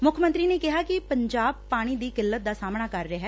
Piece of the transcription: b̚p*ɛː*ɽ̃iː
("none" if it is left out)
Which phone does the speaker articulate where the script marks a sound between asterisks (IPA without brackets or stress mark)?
aː